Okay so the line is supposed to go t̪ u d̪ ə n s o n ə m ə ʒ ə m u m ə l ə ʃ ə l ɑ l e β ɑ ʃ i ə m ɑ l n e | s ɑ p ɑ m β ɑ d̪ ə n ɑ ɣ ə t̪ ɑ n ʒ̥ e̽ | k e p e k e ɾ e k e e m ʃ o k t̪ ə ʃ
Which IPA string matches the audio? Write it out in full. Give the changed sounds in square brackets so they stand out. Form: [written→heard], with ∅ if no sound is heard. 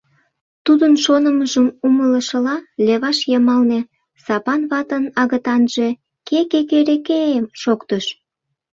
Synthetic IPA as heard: t̪ u d̪ ə n [s→ʃ] o n ə m ə ʒ ə m u m ə l ə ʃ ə l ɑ l e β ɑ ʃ [i→j] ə m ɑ l n e | s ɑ p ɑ [m→n] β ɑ [d̪→t̪] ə n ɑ ɣ ə t̪ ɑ n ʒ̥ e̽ | k e [p→k] e k e ɾ e k e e m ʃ o k t̪ ə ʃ